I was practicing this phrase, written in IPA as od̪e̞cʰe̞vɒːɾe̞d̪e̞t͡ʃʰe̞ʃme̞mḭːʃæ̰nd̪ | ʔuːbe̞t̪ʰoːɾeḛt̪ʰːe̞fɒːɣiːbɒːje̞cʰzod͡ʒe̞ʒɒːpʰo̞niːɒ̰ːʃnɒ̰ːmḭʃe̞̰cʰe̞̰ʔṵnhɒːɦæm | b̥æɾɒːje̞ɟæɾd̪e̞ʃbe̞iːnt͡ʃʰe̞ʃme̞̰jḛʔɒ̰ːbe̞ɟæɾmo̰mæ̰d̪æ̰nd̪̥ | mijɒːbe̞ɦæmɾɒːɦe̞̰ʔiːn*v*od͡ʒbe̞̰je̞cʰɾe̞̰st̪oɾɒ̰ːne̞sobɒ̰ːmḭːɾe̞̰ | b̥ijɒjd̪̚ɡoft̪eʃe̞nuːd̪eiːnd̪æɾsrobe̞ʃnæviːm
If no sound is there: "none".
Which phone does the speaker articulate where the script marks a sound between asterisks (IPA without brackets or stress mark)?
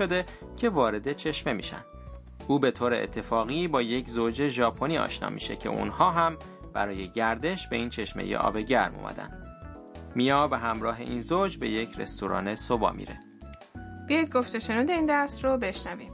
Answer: z